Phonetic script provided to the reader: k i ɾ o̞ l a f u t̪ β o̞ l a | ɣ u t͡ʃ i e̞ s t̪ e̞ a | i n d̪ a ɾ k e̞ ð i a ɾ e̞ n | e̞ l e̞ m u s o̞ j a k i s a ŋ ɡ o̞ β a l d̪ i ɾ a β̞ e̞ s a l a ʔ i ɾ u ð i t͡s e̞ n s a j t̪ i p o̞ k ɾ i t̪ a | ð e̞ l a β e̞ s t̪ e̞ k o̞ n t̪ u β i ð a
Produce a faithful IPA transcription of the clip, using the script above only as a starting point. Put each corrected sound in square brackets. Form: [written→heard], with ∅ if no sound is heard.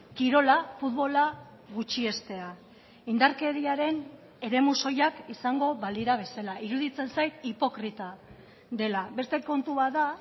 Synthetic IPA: k i ɾ o̞ l a f u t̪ β o̞ l a | ɣ u t͡ʃ i e̞ s t̪ e̞ a | i n d̪ a ɾ k e̞ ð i a ɾ e̞ n | e̞ [l→ɾ] e̞ m u s o̞ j a k i s a ŋ ɡ o̞ β a l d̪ i ɾ a β̞ e̞ s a l a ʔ i ɾ u ð i t͡s e̞ n s a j t̪ i p o̞ k ɾ i t̪ a | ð e̞ l a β e̞ s t̪ e̞ k o̞ n t̪ u β [i→a] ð a